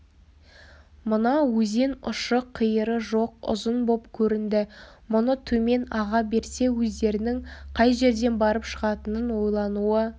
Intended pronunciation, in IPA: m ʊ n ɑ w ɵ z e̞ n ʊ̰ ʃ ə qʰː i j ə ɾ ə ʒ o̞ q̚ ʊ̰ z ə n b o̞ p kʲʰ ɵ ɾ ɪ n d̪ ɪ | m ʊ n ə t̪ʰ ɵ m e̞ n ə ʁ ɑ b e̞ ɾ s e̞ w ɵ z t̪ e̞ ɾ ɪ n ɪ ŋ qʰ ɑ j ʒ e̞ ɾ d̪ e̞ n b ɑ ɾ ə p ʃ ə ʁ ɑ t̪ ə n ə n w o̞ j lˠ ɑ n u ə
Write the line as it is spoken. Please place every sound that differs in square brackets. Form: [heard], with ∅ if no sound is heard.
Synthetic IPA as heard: m ʊ n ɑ w ɵ z e̞ n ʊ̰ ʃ ə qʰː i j ə ɾ ə ʒ o̞ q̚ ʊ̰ z ə n b o̞ p kʲʰ ɵ ɾ ɪ n d̪ ɪ | m ʊ n ə t̪ʰ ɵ m e̞ n [ɑ] ʁ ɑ b e̞ ɾ s e̞ w ɵ z [d̪] e̞ ɾ ɪ n ɪ ŋ qʰ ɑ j ʒ e̞ ɾ d̪ e̞ n b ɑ ɾ ə p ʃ ə ʁ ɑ t̪ ə n ə n w o̞ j lˠ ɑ n u ə